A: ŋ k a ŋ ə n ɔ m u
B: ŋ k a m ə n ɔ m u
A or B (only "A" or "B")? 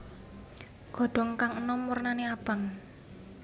A